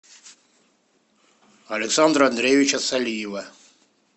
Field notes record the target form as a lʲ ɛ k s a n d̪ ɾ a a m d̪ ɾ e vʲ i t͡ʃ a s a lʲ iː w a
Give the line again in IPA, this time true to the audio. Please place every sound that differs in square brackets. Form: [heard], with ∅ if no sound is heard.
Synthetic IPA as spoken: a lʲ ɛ k s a n d̪ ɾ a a [n] d̪ ɾ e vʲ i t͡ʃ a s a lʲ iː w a